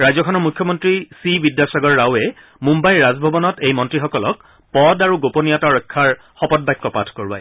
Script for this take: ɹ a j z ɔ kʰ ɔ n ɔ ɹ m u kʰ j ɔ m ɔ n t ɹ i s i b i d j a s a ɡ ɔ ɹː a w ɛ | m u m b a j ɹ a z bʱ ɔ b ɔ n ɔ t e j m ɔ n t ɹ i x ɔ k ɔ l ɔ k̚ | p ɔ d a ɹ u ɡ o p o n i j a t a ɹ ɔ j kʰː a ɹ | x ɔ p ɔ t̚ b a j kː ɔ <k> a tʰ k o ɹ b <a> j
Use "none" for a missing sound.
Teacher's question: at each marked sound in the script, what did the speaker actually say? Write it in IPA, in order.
p, a

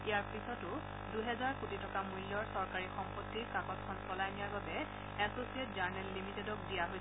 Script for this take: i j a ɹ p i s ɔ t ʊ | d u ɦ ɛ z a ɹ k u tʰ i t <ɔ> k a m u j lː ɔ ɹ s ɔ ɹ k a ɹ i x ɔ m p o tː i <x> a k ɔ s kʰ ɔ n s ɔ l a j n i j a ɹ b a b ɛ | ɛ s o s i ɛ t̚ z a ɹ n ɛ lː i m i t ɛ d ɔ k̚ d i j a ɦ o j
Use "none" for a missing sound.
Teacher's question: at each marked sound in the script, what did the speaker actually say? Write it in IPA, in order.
ɔ, k

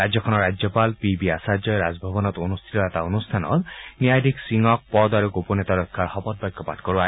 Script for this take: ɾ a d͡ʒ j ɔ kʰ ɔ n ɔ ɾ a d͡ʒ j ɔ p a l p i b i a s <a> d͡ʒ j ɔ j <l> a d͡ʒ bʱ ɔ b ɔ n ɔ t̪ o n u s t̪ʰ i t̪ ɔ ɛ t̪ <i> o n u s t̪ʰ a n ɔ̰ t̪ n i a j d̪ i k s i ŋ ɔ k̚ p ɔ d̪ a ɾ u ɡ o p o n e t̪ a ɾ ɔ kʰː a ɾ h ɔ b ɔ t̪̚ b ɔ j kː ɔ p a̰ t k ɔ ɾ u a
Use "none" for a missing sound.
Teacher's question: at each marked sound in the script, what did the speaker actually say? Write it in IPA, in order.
a, ɾ, a

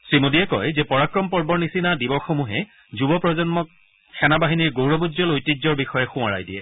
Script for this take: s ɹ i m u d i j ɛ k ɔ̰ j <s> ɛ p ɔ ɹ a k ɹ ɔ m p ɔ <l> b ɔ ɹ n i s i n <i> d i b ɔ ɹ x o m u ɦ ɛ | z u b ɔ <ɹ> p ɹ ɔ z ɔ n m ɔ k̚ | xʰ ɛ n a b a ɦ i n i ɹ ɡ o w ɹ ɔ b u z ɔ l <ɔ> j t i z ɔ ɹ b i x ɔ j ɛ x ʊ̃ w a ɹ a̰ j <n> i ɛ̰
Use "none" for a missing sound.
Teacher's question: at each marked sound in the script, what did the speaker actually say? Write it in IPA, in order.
z, ɹ, a, none, o, d

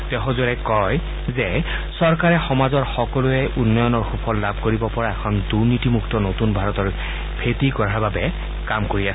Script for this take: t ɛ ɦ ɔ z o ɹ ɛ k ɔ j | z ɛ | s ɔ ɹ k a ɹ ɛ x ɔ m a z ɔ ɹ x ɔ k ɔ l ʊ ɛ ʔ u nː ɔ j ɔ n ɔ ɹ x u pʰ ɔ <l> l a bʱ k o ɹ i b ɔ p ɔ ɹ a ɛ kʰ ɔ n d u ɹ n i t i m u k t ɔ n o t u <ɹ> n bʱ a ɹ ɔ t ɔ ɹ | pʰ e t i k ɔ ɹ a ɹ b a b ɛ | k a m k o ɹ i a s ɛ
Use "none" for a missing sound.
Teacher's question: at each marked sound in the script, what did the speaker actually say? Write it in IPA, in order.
l, none

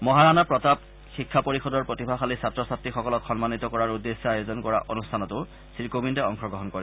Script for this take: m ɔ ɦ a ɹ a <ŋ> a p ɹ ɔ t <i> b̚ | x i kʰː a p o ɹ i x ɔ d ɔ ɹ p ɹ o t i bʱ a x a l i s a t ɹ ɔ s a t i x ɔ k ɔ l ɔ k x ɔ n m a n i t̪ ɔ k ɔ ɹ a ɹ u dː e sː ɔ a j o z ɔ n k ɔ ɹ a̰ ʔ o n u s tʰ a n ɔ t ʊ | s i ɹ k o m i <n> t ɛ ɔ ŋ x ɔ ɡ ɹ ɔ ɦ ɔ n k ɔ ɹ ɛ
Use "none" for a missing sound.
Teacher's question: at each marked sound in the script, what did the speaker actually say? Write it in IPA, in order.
n, a, n

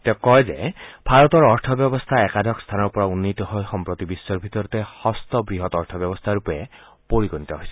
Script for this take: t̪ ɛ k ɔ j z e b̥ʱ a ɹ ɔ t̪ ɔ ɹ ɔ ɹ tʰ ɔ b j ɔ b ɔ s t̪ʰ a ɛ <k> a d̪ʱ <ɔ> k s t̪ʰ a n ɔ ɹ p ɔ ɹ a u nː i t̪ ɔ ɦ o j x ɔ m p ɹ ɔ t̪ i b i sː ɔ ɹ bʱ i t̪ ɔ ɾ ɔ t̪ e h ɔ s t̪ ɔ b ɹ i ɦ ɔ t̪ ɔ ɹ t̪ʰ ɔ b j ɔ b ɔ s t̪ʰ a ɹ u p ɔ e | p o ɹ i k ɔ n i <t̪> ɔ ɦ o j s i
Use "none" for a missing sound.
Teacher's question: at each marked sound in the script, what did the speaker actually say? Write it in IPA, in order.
k, ɔ, t̪

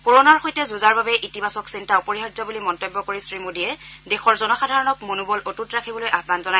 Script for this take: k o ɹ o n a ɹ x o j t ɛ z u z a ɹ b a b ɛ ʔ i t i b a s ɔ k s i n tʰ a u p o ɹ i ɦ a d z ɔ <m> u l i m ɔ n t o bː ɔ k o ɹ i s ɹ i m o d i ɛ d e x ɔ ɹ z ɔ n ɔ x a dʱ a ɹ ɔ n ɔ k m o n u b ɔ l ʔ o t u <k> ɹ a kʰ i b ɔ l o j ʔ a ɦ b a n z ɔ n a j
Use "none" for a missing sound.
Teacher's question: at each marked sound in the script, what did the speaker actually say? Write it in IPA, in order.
b, t

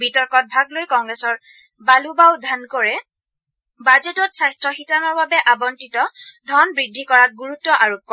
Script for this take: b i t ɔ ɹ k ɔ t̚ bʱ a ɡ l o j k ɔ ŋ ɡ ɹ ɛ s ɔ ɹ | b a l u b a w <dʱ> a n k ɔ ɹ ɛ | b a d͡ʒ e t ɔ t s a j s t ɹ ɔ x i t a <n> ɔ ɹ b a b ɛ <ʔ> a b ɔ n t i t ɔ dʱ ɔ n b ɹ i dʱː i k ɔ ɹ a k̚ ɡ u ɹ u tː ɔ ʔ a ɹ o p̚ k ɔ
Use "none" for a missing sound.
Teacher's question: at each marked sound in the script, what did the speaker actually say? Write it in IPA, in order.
dʱ, n, ʔ

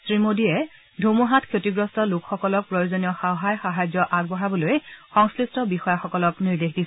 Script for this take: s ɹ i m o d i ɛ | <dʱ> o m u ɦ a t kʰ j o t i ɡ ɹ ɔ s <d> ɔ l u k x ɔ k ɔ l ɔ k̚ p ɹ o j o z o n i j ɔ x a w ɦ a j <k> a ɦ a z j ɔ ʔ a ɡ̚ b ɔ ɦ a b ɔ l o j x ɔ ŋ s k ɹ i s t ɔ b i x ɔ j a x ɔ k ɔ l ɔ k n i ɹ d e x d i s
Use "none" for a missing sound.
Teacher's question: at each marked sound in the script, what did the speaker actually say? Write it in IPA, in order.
dʱ, t, x

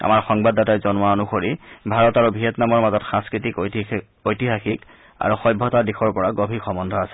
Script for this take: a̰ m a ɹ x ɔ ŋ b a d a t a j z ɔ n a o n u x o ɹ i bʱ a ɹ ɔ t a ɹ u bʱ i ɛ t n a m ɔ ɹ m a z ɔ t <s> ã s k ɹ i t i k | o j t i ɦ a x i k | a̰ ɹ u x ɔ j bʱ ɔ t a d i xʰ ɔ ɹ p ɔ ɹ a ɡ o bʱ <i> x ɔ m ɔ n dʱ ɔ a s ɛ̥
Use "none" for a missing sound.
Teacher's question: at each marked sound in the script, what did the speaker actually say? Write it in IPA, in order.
x, i

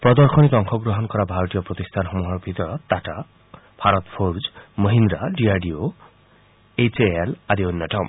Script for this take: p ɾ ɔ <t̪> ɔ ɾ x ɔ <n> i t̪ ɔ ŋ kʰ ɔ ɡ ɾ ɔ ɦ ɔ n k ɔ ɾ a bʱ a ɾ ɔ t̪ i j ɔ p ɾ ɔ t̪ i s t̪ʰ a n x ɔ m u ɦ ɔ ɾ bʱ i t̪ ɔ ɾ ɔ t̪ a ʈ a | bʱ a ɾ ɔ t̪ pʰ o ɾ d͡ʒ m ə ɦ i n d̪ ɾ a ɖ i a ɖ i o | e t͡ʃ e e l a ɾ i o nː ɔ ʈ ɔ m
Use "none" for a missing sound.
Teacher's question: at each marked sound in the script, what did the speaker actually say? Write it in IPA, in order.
d̪, n

